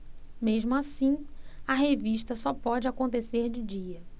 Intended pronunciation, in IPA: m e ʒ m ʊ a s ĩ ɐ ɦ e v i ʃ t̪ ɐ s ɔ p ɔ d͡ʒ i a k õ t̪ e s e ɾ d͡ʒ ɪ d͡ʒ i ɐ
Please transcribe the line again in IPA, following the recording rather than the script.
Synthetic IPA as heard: m e ʒ m ʊ a s ĩ ɐ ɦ e v i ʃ t̪ ɐ s ɔ p ɔ d͡ʒ ɪ a k õ t̪ e s e ɾ d͡ʒ ɪ d͡ʒ i ɐ